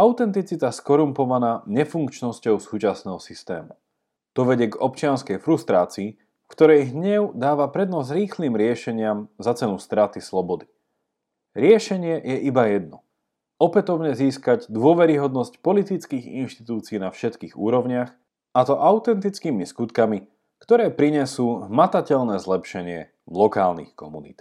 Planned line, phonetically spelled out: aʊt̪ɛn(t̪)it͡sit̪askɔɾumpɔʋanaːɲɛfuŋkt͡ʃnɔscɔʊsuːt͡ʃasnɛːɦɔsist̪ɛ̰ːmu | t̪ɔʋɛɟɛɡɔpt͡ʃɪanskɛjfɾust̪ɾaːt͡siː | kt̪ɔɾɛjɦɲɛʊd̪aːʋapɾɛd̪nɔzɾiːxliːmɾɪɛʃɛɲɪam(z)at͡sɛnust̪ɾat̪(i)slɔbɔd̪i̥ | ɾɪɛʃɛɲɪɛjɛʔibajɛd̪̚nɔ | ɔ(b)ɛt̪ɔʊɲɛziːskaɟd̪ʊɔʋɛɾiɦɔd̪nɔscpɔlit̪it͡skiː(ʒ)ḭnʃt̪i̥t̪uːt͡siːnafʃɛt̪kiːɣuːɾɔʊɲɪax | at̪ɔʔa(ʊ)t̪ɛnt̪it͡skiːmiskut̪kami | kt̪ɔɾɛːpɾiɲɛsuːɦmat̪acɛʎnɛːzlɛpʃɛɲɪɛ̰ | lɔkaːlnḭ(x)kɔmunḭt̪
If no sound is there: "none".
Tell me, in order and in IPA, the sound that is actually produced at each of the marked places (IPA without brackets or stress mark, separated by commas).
t̪, z, i, p, ɣ, ʊ, x